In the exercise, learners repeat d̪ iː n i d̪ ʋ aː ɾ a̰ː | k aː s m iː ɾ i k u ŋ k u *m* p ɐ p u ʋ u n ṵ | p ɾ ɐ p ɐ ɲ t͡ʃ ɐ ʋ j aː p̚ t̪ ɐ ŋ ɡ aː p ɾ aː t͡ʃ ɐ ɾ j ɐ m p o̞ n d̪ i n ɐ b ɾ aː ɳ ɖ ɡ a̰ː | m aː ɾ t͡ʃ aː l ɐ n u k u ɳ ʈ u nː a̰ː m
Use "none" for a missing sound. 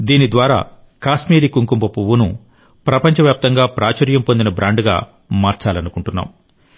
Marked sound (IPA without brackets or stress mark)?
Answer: m